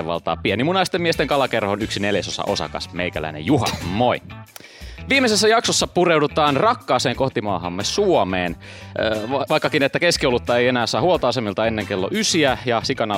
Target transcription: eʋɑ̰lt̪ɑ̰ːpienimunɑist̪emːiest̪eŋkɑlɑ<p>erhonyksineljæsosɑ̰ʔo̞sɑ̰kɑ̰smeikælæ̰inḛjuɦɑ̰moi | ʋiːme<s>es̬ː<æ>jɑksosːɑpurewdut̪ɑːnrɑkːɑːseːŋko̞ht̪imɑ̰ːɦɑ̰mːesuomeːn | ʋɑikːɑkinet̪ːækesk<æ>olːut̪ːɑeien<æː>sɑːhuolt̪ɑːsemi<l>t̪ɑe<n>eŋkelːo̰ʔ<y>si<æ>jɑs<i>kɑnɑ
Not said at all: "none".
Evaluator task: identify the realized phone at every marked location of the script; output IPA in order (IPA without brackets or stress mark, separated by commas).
k, s, æ, i, æː, l, nː, y, æ, i